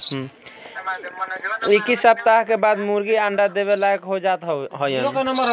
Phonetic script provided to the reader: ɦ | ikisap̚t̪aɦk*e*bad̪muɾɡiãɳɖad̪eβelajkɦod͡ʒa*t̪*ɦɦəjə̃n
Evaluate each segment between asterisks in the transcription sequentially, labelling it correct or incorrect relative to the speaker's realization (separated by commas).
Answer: correct, correct